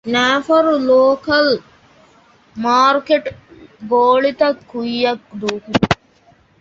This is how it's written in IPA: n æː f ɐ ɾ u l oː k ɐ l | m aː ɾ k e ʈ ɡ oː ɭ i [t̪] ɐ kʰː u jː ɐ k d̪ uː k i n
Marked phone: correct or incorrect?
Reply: correct